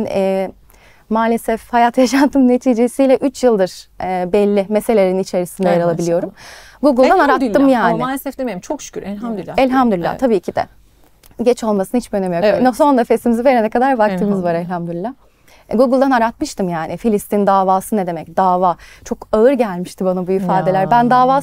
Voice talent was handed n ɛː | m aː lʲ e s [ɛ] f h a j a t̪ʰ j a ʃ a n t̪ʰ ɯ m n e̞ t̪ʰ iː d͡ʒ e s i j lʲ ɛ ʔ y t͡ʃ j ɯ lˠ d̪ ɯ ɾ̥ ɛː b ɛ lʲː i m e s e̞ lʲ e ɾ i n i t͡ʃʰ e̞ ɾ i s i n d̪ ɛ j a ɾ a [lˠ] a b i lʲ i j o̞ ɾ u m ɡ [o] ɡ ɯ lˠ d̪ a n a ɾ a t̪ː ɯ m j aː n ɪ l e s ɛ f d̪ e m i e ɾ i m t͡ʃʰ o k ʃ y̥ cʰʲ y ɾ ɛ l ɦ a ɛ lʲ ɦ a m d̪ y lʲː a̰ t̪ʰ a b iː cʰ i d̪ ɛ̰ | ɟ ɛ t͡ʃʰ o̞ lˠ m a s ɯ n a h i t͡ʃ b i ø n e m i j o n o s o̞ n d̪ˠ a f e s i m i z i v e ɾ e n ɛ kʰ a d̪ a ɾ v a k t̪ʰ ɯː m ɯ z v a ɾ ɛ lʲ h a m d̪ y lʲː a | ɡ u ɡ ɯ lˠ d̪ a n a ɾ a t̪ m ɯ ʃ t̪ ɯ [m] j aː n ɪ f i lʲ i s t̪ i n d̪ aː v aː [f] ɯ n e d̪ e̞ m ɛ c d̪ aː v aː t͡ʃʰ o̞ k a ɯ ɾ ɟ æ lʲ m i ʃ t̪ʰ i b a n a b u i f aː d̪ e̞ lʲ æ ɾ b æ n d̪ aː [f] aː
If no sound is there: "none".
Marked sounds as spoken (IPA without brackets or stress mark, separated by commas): ɛ, lˠ, u, m, s, v